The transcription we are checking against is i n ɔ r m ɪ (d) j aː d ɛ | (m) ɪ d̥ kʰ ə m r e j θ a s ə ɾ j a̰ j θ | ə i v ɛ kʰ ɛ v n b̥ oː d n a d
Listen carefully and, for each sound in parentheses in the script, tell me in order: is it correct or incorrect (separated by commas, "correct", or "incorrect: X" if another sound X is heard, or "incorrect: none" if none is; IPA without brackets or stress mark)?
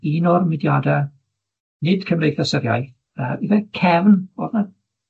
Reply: correct, incorrect: n